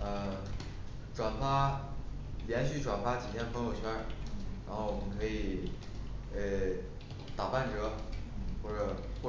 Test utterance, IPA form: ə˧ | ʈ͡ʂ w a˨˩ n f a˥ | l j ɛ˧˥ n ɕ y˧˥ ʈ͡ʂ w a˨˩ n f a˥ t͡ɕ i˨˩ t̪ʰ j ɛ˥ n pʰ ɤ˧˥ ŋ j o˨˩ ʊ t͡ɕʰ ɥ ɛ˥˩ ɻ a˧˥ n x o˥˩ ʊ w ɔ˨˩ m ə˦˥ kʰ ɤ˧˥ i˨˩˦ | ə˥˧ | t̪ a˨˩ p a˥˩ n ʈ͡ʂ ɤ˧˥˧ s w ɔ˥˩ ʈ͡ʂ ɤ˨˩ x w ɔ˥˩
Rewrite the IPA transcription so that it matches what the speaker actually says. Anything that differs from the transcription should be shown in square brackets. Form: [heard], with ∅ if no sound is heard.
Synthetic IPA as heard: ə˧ | ʈ͡ʂ w a˨˩ n f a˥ | l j ɛ˧˥ n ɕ [y˥˩] ʈ͡ʂ w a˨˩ n f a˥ t͡ɕ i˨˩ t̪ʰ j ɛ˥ n pʰ ɤ˧˥ ŋ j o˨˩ ʊ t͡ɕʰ ɥ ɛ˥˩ ɻ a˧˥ n x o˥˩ ʊ w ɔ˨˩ m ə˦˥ kʰ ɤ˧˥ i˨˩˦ | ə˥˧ | t̪ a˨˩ p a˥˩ n ʈ͡ʂ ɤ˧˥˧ [x] w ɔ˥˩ ʈ͡ʂ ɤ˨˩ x w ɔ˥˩

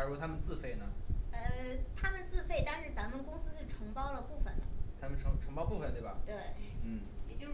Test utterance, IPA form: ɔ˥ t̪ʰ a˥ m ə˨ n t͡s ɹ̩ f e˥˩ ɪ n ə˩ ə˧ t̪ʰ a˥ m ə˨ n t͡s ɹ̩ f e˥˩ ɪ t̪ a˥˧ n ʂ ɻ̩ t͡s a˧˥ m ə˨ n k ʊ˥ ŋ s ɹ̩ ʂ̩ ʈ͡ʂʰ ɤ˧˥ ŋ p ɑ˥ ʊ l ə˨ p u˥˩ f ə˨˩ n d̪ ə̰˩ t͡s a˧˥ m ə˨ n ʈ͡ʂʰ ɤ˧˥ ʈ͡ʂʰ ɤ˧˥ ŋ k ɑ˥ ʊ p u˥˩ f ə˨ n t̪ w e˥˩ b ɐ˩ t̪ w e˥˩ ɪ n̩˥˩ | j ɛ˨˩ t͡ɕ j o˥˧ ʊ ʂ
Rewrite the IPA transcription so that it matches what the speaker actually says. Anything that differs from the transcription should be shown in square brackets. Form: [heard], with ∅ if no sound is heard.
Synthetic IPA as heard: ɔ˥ t̪ʰ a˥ m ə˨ n t͡s ɹ̩ f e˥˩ ɪ n ə˩ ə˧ t̪ʰ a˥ m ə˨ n t͡s ɹ̩ f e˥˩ ɪ t̪ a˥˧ n ʂ ɻ̩ t͡s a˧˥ m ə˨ n k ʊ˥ ŋ s ɹ̩ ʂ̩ ʈ͡ʂʰ ɤ˧˥ ŋ p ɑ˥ ʊ l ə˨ p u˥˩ f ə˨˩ n d̪ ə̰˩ t͡s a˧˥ m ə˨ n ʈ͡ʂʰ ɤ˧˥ ʈ͡ʂʰ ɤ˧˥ ŋ [p] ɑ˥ ʊ p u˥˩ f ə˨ n t̪ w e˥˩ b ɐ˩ t̪ w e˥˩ ɪ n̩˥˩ | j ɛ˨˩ t͡ɕ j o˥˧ ʊ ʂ

